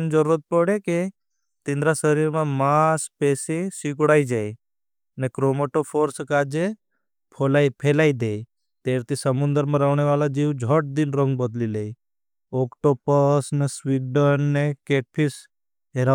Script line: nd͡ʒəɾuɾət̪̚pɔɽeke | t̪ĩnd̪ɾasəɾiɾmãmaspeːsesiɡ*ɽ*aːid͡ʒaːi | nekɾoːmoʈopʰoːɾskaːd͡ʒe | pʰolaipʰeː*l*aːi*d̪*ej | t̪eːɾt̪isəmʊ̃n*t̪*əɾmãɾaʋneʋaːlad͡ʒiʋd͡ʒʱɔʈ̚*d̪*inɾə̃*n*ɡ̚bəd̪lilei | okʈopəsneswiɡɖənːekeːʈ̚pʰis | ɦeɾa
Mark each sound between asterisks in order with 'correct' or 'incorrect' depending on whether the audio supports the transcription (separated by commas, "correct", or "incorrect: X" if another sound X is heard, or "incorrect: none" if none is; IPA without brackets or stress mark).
correct, correct, correct, incorrect: d̪, correct, incorrect: ŋ